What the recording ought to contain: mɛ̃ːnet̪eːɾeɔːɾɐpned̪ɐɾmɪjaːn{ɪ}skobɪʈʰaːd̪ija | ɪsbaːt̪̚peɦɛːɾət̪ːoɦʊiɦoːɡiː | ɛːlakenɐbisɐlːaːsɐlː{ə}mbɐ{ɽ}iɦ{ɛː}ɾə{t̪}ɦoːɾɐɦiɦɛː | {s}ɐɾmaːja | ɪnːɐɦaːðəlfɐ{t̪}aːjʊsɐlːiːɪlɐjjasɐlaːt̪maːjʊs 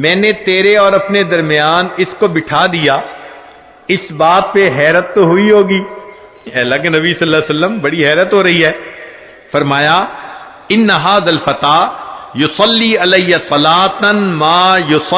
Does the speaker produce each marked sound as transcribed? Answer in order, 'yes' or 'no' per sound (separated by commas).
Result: yes, yes, yes, yes, yes, no, yes